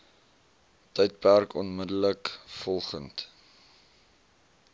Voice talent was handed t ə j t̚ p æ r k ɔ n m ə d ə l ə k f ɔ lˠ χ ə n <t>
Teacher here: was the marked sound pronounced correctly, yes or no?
yes